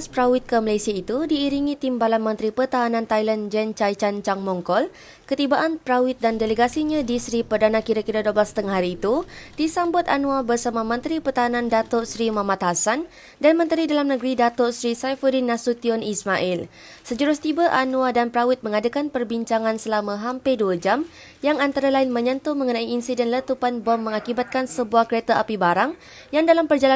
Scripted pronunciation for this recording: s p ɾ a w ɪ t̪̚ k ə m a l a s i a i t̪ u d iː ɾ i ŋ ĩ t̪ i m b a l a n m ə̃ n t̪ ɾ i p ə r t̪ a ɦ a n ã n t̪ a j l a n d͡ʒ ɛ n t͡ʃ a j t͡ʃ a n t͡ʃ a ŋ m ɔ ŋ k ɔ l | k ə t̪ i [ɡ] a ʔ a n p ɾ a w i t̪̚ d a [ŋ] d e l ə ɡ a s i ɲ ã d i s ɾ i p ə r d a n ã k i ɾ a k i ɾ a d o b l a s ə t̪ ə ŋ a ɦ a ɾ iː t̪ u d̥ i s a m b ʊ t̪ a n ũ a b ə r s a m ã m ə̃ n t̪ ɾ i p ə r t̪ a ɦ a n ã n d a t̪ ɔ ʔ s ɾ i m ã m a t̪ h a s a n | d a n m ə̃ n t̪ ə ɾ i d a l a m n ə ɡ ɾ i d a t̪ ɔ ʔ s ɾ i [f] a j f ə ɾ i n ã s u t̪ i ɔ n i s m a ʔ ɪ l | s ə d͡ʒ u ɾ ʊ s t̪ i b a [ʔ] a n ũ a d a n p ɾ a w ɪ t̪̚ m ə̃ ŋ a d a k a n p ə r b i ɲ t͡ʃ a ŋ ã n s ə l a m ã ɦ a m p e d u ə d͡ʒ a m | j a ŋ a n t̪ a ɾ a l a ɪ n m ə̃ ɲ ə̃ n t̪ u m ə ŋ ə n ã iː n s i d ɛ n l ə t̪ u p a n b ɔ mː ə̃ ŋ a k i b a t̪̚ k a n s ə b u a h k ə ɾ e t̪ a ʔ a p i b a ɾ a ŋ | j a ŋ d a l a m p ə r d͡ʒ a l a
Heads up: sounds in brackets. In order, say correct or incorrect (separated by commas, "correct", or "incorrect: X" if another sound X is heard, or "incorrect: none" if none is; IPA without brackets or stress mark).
incorrect: b, incorrect: n, incorrect: s, correct